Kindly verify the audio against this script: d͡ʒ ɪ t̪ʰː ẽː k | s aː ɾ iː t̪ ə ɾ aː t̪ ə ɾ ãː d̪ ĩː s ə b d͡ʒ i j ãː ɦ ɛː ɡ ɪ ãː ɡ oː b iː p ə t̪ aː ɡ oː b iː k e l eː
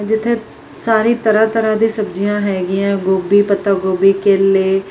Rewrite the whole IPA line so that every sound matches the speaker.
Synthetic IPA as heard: d͡ʒ ɪ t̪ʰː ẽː | s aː ɾ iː t̪ ə ɾ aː t̪ ə ɾ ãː d̪ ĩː s ə b d͡ʒ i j ãː ɦ ɛː ɡ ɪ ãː ɡ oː b iː p ə t̪ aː ɡ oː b iː k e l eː